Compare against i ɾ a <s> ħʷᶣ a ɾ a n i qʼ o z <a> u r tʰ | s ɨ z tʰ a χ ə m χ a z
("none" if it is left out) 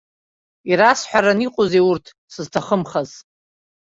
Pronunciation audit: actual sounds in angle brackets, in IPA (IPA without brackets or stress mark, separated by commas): s, e